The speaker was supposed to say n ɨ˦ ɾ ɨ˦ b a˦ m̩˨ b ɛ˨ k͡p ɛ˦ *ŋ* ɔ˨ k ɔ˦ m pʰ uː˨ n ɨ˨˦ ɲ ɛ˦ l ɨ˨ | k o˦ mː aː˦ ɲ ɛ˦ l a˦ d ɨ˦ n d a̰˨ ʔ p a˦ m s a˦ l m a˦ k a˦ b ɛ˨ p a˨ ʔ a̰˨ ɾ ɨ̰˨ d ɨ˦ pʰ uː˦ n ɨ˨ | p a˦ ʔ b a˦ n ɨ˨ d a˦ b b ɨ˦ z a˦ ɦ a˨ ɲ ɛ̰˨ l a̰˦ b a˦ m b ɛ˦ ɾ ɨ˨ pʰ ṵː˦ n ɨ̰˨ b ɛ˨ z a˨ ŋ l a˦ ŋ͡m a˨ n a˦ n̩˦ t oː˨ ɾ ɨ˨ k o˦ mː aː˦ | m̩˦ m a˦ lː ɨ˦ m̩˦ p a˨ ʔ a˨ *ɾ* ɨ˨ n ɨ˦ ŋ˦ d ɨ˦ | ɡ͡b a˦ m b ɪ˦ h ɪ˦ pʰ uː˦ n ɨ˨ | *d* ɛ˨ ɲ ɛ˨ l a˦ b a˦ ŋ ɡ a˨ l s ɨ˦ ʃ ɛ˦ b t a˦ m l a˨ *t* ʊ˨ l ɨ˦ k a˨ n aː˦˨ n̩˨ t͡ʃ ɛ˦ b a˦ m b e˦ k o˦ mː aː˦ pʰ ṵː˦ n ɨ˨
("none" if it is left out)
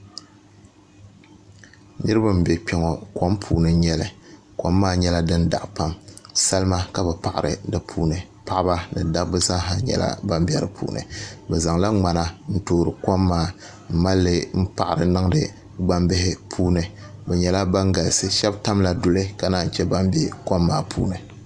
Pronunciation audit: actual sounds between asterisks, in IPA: ŋ, ɾ, b, d

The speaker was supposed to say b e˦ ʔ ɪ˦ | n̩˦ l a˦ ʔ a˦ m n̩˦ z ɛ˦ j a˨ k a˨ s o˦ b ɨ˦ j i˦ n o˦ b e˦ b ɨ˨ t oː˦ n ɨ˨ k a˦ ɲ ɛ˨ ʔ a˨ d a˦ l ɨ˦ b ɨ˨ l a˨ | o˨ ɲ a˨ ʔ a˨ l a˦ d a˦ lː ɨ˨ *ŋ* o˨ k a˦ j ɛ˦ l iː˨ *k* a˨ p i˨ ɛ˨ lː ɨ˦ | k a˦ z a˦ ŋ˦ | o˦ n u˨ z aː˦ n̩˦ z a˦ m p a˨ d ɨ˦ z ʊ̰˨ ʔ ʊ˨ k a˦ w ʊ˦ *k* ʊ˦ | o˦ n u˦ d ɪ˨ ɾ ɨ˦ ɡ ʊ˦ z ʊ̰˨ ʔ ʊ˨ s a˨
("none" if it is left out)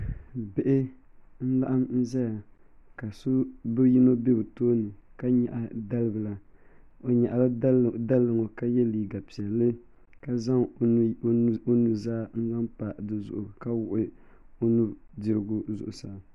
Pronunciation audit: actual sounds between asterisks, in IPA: ŋ, ɡ, ʔ

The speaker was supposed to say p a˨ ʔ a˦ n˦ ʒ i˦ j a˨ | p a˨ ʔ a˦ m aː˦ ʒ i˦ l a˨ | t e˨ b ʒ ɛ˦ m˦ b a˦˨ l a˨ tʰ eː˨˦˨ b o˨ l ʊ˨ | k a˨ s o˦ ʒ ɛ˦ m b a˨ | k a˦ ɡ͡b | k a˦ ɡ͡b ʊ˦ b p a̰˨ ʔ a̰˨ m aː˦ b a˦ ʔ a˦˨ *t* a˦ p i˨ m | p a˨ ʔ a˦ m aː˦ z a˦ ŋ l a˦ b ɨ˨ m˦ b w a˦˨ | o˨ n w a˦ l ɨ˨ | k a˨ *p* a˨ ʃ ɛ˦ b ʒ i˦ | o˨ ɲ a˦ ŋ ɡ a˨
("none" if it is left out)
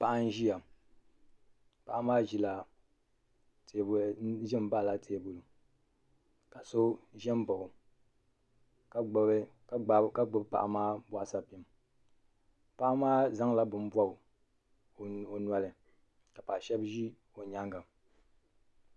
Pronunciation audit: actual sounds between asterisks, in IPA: s, p

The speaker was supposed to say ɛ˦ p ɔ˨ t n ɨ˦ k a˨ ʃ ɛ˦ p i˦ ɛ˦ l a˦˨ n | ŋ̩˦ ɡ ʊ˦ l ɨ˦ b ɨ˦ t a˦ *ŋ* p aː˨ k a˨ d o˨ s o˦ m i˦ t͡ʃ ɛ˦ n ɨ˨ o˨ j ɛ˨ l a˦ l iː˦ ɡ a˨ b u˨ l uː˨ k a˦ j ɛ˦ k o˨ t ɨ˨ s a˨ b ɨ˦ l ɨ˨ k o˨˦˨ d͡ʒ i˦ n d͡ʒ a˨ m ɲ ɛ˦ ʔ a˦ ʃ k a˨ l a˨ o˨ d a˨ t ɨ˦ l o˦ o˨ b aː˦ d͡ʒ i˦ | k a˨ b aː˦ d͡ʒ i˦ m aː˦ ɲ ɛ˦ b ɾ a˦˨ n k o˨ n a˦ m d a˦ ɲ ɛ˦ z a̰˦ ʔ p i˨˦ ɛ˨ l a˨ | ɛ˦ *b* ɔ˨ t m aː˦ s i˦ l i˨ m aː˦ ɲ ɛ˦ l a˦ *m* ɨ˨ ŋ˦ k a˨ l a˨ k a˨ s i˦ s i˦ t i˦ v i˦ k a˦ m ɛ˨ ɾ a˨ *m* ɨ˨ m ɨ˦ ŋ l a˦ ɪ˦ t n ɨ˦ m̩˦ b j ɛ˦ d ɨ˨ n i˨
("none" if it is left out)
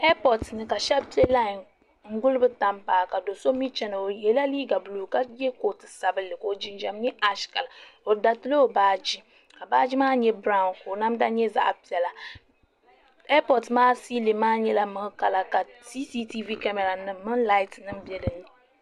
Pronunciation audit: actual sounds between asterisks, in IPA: m, p, m, n

